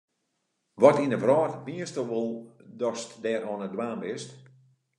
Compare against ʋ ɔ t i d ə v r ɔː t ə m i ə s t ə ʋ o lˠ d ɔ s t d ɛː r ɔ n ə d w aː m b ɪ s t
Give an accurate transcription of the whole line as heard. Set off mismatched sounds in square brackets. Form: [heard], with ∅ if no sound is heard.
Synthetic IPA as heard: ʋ ɔ t i [n] ə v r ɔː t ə m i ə s t ə ʋ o lˠ d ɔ s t d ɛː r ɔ n ə d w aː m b ɪ s t

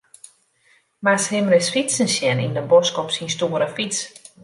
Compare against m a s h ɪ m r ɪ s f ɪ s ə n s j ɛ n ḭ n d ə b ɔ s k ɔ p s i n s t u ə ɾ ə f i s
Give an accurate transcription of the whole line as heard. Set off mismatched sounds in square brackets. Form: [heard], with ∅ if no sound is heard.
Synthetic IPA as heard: m a s h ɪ m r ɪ s f [i] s ə n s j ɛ n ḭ n d ə b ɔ s k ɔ p s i n s t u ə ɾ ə f i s

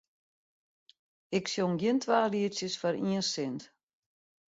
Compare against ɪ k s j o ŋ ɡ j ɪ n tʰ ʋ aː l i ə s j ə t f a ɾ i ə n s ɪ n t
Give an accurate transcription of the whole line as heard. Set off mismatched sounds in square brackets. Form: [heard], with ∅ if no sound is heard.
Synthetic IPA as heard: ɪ k s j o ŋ ɡ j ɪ n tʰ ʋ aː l i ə s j ə [s] f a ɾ i ə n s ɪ n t

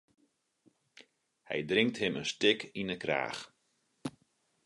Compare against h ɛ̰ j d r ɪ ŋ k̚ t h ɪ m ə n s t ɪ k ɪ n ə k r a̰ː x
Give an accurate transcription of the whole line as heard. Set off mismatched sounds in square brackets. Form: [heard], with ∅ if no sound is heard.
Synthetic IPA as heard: h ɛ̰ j d r ɪ ŋ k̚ t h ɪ m ə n s t ɪ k [i] n ə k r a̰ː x

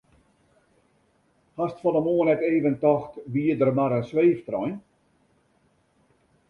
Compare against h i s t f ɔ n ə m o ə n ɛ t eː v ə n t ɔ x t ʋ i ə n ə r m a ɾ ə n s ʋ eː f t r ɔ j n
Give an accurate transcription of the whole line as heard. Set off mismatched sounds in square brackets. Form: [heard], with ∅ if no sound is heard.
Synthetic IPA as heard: h [a] s t f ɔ n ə m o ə n ɛ t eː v ə n t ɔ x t ʋ i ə [d] ə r m a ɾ ə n s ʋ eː f t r ɔ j n

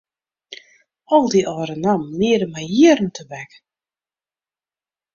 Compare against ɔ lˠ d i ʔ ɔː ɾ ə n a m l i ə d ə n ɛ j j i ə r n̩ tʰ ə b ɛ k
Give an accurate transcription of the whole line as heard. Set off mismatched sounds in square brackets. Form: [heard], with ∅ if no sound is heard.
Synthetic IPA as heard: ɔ lˠ d i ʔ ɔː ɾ ə n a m l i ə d ə [m] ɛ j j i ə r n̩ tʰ ə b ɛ k

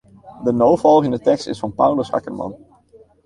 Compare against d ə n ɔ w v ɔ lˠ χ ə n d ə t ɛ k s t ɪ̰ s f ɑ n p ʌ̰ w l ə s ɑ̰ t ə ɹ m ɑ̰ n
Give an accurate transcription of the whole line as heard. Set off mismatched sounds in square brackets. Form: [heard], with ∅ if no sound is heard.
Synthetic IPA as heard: d ə n [o] w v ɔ lˠ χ ə n d ə t ɛ k s t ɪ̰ s f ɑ n p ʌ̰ w l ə s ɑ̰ [k] ə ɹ m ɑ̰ n

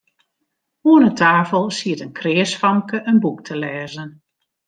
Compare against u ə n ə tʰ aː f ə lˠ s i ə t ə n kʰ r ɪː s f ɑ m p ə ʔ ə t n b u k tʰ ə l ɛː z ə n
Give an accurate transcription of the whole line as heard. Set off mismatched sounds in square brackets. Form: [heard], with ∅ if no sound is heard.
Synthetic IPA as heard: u ə n ə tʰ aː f ə lˠ s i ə t ə n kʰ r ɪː s f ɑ m [k] ə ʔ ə [∅] n b u k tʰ ə l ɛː z ə n

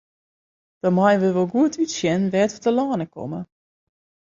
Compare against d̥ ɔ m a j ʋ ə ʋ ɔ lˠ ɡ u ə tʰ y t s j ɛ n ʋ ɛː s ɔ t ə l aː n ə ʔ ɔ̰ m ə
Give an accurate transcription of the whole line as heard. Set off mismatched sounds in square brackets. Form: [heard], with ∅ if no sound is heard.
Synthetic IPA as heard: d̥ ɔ m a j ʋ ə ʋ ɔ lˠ ɡ u ə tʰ y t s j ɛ n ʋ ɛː [t] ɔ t ə l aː n ə [k] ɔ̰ m ə

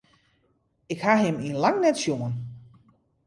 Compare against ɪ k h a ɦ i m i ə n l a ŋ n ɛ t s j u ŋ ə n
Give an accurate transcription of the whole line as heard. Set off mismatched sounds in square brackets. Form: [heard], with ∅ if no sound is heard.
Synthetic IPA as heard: ɪ k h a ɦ [ɪ] m i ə n l a ŋ n ɛ t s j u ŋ ə n

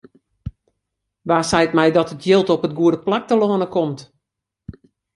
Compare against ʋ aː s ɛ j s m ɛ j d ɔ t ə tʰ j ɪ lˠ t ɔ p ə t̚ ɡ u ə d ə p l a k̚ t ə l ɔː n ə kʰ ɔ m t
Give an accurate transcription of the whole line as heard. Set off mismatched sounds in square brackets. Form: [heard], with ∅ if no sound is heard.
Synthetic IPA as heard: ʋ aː s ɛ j [t] m ɛ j d ɔ t ə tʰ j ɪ lˠ t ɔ p ə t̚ ɡ u ə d ə p l a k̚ t ə l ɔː n ə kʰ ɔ m t

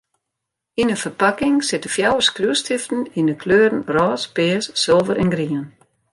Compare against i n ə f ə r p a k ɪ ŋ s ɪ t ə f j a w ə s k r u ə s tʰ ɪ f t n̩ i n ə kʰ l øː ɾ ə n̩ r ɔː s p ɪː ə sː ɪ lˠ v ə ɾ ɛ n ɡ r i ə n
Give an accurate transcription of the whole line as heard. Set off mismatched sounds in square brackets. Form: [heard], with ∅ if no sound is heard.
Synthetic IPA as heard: i n ə f ə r p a k ɪ ŋ s ɪ t ə f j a w ə s k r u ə s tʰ ɪ f t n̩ i n ə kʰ l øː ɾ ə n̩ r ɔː s p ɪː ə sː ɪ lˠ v ə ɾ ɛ n ɡ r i ə n

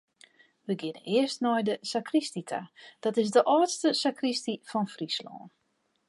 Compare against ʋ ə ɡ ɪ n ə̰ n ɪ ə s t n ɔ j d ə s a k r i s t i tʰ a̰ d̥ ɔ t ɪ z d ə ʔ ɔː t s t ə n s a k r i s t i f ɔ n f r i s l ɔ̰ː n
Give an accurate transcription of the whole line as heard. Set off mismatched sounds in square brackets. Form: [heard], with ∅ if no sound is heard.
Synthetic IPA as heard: ʋ ə ɡ ɪ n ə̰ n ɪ ə s t n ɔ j d ə s a k r i s t i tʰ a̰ d̥ ɔ t ɪ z d ə ʔ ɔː t s t ə [∅] s a k r i s t i f ɔ n f r i s l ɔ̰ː n

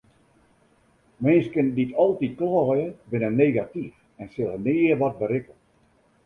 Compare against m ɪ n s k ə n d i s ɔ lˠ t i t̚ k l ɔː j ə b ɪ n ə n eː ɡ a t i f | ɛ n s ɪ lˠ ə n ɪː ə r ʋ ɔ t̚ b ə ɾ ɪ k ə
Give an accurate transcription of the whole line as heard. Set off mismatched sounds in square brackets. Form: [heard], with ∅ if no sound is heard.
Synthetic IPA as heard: m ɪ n s k ə n d i [t] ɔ lˠ t i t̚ k l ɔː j ə b ɪ n ə n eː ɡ a t i f | ɛ n s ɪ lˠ ə n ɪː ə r ʋ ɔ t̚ b ə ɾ ɪ k ə

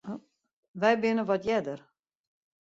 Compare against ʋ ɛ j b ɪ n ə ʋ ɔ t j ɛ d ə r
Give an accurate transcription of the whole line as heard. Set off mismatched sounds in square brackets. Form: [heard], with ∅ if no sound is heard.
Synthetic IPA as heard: ʋ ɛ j b ɪ n ə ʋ ɔ t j ɛ d ə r

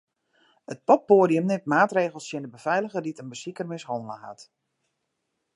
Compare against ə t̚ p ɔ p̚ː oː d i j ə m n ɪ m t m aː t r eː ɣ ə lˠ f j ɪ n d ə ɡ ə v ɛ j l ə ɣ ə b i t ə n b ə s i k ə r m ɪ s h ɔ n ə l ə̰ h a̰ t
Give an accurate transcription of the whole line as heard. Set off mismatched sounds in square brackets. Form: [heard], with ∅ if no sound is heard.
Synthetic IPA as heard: ə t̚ p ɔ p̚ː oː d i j ə m n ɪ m t m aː t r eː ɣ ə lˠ [s] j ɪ n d ə [b] ə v ɛ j l ə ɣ ə [d] i t ə n b ə s i k ə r m ɪ s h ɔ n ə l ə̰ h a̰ t

